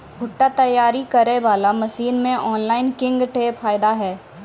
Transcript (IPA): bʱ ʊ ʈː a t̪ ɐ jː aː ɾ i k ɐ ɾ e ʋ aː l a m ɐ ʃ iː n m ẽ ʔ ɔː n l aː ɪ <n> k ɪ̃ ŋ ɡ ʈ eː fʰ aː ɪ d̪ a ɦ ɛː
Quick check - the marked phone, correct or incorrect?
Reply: correct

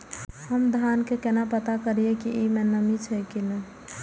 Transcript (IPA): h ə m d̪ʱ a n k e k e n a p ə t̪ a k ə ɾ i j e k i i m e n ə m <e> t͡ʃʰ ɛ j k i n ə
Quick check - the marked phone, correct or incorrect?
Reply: incorrect: i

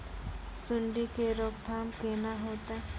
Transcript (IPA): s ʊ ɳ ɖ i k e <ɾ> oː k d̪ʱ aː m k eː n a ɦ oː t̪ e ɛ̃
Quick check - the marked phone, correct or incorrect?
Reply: correct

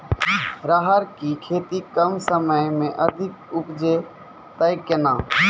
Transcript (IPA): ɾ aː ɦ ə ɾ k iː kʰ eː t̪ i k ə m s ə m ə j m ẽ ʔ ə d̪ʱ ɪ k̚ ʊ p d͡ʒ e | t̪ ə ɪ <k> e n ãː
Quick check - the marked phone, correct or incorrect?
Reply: correct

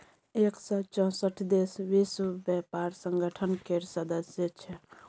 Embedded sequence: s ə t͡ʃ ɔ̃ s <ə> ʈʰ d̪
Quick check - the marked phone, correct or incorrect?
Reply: correct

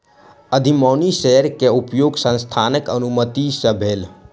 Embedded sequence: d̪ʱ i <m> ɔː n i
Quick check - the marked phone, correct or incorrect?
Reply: correct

